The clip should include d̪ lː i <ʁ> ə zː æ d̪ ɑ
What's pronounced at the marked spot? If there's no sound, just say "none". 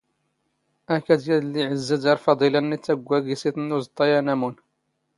ʕ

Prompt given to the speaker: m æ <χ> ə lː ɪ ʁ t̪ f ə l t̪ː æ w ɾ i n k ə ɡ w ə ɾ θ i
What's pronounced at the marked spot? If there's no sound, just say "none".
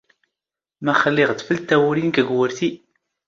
χ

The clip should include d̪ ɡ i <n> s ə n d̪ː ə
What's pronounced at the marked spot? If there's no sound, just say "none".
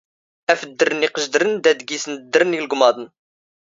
none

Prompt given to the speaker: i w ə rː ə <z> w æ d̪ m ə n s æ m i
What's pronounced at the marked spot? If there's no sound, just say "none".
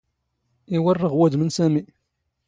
ʁ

